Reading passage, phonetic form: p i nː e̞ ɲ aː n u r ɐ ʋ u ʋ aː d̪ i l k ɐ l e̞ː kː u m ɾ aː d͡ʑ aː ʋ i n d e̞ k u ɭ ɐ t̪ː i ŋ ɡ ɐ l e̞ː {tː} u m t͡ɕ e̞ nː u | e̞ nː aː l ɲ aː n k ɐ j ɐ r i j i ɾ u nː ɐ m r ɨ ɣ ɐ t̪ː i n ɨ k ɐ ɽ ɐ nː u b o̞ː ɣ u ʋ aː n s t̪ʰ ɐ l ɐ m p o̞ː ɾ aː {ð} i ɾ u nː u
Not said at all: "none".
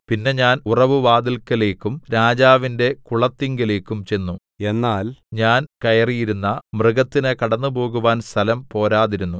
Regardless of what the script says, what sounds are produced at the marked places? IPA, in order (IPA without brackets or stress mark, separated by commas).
kː, ð